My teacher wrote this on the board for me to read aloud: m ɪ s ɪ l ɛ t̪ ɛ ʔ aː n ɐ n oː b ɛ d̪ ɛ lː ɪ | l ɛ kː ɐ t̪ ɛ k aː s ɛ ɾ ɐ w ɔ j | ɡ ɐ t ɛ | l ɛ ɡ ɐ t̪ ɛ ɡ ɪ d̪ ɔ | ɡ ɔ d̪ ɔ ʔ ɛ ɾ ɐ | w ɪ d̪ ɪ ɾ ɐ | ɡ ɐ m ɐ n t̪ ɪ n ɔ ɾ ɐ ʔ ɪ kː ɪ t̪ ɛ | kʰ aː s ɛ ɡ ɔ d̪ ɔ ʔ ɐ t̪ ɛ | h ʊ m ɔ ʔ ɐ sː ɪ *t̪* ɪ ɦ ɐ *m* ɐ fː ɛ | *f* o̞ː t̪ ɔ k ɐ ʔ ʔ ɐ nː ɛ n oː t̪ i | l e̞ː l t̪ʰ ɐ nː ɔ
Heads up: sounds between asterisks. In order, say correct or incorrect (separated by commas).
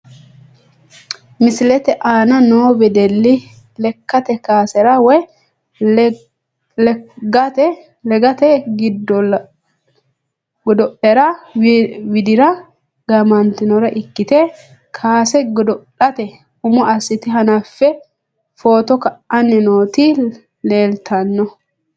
correct, incorrect, correct